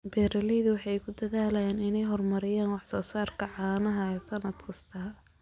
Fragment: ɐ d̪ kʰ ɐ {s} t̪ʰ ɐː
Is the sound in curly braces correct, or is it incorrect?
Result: correct